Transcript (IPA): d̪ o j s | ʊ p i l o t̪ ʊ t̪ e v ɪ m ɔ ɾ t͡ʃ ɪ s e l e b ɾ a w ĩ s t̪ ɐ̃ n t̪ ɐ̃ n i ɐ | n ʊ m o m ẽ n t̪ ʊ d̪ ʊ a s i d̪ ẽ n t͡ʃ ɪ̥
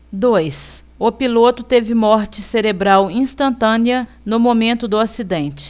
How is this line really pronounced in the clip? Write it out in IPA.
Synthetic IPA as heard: d̪ o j s | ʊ p i l o t̪ ʊ t̪ e v ɪ m ɔ ɾ t͡ʃ ɪ s e ɾ e b ɾ a w ĩ s t̪ ɐ̃ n t̪ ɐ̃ n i ɐ | n ʊ m o m ẽ n t̪ ʊ d̪ ʊ a s i d̪ ẽ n t͡ʃ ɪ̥